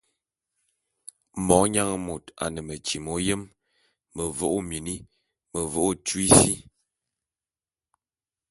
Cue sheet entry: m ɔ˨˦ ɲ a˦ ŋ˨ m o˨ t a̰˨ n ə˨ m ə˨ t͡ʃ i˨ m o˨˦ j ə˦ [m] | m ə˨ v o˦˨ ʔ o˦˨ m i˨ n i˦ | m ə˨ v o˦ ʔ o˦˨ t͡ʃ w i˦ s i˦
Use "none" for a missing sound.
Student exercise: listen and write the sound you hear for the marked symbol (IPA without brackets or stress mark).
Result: m